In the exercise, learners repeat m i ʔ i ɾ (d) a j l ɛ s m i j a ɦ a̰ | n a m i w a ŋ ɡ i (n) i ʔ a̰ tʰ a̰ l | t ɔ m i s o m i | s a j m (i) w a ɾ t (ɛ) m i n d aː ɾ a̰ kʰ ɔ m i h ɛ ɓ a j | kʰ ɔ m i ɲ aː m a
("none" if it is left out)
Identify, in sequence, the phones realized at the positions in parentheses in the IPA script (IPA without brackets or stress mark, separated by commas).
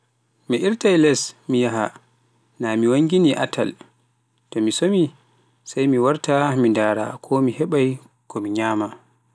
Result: t, n, i, a